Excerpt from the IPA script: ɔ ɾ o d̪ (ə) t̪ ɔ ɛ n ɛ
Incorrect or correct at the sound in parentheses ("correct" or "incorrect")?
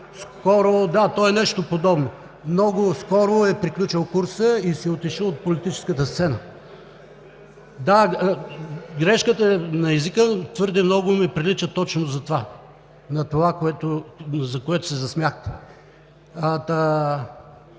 incorrect